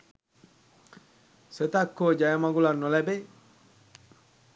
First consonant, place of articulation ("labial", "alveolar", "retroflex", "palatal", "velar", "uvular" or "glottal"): alveolar